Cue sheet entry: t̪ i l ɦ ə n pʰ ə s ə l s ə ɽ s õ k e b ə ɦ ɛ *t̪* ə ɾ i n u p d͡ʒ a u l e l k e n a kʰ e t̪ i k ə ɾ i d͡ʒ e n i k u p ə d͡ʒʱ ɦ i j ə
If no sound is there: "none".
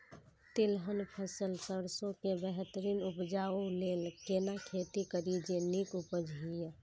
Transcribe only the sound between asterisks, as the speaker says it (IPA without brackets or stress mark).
t̪